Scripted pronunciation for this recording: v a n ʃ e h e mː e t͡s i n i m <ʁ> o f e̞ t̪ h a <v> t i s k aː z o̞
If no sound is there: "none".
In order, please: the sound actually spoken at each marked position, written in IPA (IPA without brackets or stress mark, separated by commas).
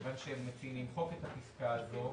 χ, none